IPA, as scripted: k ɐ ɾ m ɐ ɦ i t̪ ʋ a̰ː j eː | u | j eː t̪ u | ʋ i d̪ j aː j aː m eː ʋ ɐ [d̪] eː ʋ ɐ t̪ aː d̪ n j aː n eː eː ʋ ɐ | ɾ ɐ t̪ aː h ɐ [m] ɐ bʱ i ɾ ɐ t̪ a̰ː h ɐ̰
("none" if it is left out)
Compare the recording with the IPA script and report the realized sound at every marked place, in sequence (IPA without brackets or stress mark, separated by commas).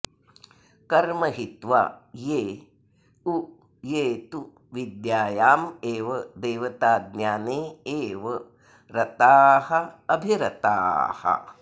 d̪, none